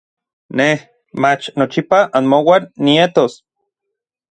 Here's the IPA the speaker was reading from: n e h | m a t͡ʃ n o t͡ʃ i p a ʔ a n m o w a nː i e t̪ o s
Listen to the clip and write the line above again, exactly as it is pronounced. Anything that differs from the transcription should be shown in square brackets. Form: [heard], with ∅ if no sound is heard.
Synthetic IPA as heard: n e h | m a t͡ʃ n o t͡ʃ i p a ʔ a n m o w a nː i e t̪ o s